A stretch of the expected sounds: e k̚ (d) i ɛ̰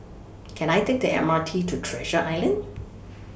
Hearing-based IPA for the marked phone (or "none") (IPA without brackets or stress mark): d